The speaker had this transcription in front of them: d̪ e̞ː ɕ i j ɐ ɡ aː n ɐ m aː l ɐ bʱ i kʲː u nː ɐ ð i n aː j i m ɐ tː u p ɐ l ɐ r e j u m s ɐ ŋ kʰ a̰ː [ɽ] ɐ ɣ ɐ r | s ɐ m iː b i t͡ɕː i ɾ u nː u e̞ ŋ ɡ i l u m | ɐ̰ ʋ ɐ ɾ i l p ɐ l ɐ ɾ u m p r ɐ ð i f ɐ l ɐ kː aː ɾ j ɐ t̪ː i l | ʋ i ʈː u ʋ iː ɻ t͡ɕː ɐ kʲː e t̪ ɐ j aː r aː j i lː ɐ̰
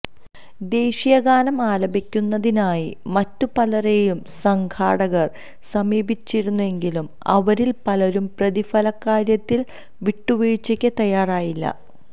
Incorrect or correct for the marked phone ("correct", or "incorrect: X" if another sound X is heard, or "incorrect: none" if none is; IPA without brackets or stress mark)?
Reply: correct